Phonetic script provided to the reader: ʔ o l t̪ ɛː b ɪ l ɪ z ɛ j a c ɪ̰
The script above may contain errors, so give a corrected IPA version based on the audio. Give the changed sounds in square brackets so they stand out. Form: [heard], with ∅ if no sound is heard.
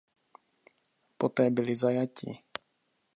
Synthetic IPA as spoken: [p] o [∅] t̪ ɛː b ɪ l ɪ z [a] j a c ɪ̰